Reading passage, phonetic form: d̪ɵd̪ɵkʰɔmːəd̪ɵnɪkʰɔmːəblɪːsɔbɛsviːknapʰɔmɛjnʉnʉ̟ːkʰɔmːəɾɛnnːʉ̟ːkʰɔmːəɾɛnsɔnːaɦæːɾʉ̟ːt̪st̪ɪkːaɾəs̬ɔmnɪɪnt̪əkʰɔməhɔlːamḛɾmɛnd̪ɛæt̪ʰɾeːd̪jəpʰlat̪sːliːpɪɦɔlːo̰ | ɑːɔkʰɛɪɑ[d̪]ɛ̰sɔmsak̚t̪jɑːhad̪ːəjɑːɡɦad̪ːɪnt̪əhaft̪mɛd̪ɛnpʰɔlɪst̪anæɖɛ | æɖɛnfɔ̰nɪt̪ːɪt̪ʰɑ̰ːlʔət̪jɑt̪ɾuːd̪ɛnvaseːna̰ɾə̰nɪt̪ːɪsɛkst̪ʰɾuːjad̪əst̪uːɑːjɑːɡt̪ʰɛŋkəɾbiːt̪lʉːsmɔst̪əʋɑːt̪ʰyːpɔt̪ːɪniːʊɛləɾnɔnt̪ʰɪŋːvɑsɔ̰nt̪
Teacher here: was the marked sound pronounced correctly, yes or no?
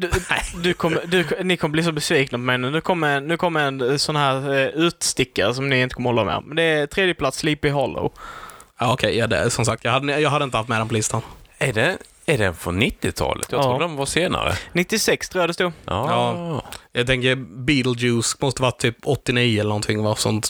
yes